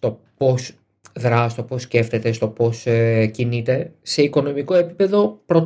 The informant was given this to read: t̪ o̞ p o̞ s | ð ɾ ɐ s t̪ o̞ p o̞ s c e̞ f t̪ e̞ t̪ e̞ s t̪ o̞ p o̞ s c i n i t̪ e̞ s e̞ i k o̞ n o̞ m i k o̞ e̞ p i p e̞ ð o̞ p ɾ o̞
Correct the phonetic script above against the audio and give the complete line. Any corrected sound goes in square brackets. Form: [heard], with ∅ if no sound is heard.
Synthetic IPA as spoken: t̪ o̞ p o̞ s | ð ɾ ɐ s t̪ o̞ p o̞ s c e̞ f t̪ e̞ t̪ e̞ s t̪ o̞ p o̞ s c i n i t̪ e̞ s e̞ i k o̞ n o̞ m i k o̞ e̞ p i p e̞ ð o̞ p ɾ o̞